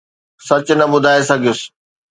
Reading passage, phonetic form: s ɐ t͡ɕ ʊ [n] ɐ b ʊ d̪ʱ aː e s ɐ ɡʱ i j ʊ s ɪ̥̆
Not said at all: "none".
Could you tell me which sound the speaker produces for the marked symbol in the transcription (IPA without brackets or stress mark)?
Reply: n